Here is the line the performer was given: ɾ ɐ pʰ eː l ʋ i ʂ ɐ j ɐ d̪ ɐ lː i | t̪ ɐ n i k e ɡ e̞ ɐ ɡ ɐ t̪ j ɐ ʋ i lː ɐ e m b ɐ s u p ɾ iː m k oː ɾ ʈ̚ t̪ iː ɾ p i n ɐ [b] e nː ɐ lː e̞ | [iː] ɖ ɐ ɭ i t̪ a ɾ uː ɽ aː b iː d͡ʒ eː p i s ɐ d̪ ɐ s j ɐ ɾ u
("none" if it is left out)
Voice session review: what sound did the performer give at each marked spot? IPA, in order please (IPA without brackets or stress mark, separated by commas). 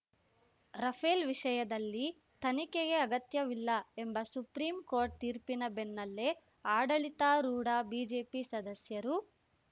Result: b, aː